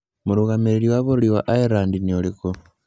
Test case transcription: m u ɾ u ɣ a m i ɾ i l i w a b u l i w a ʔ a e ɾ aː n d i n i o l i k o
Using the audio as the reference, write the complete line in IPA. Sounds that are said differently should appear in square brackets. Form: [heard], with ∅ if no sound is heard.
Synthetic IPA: m u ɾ u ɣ a m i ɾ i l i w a [β] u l i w a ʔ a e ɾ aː n d i n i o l i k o